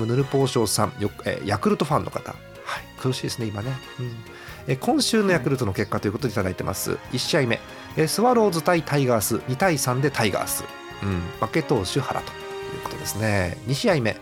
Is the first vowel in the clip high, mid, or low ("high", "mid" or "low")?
high